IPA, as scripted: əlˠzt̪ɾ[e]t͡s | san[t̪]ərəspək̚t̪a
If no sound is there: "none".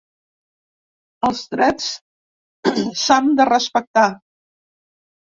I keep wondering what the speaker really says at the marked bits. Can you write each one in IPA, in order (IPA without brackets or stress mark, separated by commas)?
ɛ, d̪